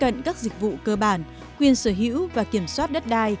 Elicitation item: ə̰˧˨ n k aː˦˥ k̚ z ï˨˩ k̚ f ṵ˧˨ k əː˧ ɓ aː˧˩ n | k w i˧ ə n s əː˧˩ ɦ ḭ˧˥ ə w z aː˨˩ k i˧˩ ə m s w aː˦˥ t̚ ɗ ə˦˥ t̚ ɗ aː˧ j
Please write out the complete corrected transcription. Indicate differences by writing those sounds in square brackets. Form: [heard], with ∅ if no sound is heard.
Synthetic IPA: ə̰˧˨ n k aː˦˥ k̚ z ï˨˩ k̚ [v] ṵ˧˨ k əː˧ ɓ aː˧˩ n | k w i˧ ə n s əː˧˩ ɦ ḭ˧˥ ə w [v] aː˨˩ k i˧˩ ə m s w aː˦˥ t̚ ɗ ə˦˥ t̚ ɗ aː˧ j